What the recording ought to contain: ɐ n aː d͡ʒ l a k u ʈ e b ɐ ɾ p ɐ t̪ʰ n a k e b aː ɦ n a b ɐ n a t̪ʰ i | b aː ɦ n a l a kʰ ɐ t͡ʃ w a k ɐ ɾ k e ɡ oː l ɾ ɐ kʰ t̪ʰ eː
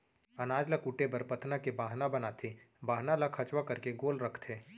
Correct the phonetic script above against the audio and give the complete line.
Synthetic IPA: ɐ n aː d͡ʒ l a k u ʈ e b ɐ ɾ p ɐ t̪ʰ n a k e b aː ɦ n a b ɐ n a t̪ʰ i | b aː ɦ n a l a kʰ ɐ t͡ʃ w a k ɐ ɾ k e ɡ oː l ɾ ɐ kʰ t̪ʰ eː